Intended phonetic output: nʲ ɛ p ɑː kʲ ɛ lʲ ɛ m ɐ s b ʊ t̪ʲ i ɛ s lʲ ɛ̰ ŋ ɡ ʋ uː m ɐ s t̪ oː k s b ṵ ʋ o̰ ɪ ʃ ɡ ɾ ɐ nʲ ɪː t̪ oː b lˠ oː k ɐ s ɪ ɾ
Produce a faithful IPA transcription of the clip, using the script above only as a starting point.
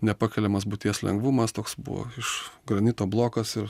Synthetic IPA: nʲ ɛ p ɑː kʲ ɛ lʲ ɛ m ɐ s b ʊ t̪ʲ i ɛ s lʲ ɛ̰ ŋ ɡ ʋ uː m ɐ s t̪ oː k s b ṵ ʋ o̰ ɪ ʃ ɡ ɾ ɐ nʲ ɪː t̪ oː b lˠ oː k ɐ s ɪ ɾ